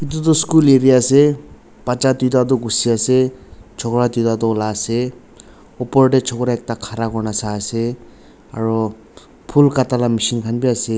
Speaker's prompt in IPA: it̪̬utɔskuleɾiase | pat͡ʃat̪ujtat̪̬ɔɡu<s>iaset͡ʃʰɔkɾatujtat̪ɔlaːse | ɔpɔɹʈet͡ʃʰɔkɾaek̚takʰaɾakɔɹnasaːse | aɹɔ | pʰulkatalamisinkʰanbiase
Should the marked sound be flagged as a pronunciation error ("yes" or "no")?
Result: no